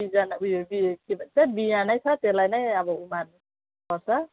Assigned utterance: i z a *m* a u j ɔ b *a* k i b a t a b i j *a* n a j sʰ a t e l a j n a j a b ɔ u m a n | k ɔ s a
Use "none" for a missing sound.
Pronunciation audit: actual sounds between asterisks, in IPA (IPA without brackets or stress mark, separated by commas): n, i, a